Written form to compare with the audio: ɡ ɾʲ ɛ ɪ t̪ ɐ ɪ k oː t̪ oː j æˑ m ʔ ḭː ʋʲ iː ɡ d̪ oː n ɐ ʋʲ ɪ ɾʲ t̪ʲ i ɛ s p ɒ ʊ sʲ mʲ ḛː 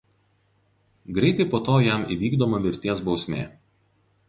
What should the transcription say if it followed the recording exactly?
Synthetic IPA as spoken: ɡ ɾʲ ɛ ɪ t̪ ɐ ɪ p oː t̪ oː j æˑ m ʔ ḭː ʋʲ iː ɡ d̪ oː m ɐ ʋʲ ɪ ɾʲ t̪ʲ i ɛ s b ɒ ʊ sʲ mʲ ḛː